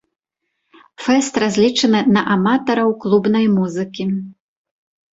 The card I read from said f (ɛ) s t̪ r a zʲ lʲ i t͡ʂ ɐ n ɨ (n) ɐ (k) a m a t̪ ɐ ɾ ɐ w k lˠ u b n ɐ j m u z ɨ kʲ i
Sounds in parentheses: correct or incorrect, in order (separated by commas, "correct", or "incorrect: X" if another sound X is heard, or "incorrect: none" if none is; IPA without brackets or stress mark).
correct, correct, incorrect: ʔ